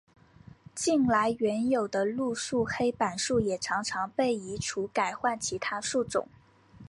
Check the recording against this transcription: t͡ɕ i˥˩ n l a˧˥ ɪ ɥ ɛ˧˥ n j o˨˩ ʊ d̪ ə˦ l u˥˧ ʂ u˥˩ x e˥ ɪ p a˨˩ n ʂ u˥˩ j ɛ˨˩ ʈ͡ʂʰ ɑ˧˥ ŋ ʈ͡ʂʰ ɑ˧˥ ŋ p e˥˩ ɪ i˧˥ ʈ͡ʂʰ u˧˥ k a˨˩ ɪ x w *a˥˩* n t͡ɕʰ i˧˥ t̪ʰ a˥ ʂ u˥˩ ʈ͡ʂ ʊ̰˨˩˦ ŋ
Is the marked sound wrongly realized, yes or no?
no